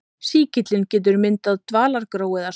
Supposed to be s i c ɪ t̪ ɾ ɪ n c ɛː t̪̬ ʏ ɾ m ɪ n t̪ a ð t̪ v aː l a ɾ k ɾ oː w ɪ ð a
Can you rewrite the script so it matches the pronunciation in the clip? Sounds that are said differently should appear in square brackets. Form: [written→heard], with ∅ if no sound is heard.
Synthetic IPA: s [i→iː] c ɪ t̪ [ɾ→l] ɪ n c ɛː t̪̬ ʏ ɾ m ɪ n t̪ a ð t̪ v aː l a ɾ k ɾ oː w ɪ ð a